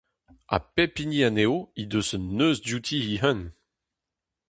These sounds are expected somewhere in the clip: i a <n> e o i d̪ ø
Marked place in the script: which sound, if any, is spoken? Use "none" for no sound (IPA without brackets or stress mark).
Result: n